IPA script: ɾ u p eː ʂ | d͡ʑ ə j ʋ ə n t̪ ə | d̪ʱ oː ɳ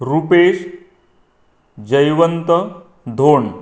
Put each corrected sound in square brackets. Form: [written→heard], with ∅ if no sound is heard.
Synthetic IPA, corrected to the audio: ɾ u p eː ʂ | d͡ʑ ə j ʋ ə n t̪ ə | d̪ʱ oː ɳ